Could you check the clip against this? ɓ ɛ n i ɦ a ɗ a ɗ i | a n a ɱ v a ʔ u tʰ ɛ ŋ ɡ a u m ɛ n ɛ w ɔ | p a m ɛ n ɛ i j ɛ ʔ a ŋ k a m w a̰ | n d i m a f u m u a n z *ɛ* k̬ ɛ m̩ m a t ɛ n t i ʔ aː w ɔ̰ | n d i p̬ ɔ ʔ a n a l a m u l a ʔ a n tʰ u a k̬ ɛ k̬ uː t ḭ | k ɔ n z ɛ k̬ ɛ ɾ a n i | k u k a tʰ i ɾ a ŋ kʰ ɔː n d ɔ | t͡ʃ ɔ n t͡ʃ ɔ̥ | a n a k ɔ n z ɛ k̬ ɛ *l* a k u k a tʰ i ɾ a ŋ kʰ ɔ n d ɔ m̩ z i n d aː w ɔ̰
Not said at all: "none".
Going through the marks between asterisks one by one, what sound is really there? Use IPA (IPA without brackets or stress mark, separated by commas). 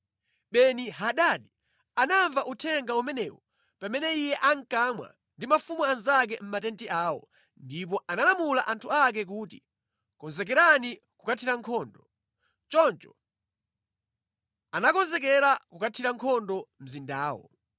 a, ɾ